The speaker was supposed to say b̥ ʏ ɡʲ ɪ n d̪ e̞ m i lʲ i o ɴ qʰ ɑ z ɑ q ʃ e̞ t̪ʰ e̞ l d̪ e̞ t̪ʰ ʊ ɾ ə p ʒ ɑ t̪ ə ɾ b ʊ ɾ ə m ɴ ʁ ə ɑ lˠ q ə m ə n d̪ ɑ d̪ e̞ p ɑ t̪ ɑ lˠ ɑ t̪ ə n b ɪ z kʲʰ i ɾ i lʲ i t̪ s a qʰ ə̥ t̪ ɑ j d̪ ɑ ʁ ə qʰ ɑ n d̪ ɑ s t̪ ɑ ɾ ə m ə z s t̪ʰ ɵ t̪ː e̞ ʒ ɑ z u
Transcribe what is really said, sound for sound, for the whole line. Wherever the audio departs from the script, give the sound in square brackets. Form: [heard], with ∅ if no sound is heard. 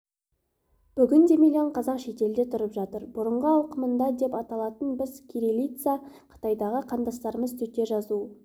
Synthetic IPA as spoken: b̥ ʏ ɡʲ ɪ n d̪ e̞ m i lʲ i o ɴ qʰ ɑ z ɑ q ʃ e̞ [t̪] e̞ l d̪ e̞ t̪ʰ ʊ ɾ ə p ʒ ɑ t̪ ə ɾ b ʊ ɾ ə [∅] ɴ ʁ ə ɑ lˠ q ə m ə n d̪ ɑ d̪ e̞ p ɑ t̪ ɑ lˠ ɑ t̪ ə n b ɪ z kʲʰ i ɾ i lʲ i t̪ s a qʰ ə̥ t̪ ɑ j d̪ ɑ ʁ ə qʰ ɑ n d̪ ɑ s t̪ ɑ ɾ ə m ə z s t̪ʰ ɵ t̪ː e̞ ʒ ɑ z u